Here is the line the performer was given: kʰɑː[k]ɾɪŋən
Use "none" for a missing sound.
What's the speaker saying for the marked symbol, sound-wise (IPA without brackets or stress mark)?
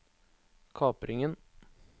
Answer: p